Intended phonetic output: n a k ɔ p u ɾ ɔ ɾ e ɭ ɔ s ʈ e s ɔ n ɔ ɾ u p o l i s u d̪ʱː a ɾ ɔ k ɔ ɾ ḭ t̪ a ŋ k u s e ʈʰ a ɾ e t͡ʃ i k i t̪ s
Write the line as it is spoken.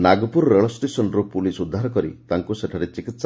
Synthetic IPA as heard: n a ɡ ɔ p u ɾ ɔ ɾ e ɭ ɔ s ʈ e s ɔ n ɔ ɾ u p u l i s u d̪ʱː a ɾ ɔ k ɔ ɾ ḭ t̪ a ŋ k u s e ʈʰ a ɾ e t͡ʃ i k i t̪ s

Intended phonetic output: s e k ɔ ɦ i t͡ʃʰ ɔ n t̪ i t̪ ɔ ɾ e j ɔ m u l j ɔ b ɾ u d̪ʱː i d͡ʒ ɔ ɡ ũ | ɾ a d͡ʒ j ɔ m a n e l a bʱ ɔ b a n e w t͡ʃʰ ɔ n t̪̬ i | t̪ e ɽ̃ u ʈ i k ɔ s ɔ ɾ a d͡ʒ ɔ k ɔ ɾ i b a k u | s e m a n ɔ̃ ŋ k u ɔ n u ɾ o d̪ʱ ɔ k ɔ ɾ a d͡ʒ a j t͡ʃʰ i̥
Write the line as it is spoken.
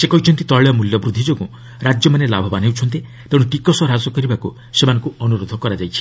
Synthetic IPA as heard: s e k ɔ ɦ i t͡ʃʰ ɔ n t̪ i t̪ ɔ ɭ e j ɔ m u l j ɔ b ɾ u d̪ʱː i d͡ʒ o ɡ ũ | ɾ a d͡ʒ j ɔ m a n e l a bʱ ɔ b a n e w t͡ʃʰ ɔ n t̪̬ i | t̪ e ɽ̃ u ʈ i k ɔ s ɔ ɾ a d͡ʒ ɔ k ɔ ɾ i b a k u | s e m a n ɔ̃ ŋ k u ɔ n u ɾ o d̪ʱ ɔ k ɔ ɾ a d͡ʒ a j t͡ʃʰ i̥

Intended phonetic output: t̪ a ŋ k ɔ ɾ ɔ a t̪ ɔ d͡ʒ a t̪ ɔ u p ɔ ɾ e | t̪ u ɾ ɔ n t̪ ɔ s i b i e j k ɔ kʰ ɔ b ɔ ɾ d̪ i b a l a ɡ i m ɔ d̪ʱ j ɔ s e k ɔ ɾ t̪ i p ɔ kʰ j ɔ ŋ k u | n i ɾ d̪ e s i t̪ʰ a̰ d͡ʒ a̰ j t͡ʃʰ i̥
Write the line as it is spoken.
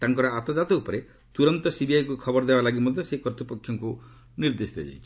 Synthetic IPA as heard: t̪ a ŋ k ɔ ɾ ɔ a t̪ ɔ d͡ʒ a t̪ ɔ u p ɔ ɾ e | t̪ u ɾ ɔ n t̪ ɔ s i b i a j k u kʰ ɔ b ɔ ɾ d̪ e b a l a ɡ i m ɔ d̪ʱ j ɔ s e k ɔ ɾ t̪ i p ɔ kʰ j ɔ ŋ k u | n i ɾ d̪ e s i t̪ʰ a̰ d͡ʒ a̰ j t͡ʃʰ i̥

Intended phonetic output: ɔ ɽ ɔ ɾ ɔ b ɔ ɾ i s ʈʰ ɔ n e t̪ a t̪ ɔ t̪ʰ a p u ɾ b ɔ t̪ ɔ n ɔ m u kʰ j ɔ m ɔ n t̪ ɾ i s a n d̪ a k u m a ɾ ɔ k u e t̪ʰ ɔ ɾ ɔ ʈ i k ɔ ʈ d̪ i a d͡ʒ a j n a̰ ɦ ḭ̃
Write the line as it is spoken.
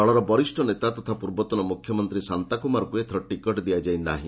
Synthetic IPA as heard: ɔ ɭ ɔ ɾ ɔ b ɔ ɾ i s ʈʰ ɔ n e t̪ a t̪ ɔ t̪ʰ a p u ɾ b ɔ t̪ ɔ n ɔ m u kʰ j ɔ m ɔ n t̪ ɾ i s a n t̪ a k u m a ɾ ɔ k u e t̪ʰ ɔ ɾ ɔ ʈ i k ɔ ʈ d̪ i a d͡ʒ a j n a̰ ɦ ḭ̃

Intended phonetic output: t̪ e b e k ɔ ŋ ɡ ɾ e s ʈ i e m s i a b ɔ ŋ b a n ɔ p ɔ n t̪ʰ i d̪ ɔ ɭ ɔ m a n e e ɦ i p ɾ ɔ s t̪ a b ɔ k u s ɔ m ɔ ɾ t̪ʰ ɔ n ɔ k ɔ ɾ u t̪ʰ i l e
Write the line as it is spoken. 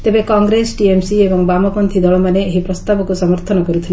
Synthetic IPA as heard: t̪ e b e k ɔ ŋ ɡ ɾ e s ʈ i e m s i e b ɔ ŋ b a m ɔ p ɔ n t̪ʰ i d̪ ɔ ɭ ɔ m a n e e ɦ i p ɾ ɔ s t̪ a b ɔ k u s ɔ m ɔ ɾ t̪ʰ ɔ n ɔ k ɔ ɾ u t̪ʰ i l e

